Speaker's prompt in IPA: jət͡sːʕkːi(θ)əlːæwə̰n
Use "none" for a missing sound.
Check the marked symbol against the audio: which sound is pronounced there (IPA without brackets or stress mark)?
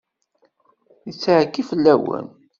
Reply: f